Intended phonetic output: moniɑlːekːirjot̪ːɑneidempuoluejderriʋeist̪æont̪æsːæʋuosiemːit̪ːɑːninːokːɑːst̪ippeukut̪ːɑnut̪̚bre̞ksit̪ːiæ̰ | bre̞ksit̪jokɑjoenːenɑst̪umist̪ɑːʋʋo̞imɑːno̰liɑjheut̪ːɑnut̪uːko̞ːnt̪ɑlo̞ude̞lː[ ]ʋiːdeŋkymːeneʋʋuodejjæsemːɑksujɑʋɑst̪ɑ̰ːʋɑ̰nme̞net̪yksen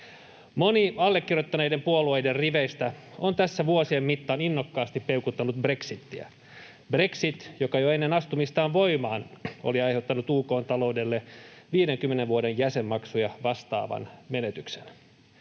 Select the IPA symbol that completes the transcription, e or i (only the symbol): e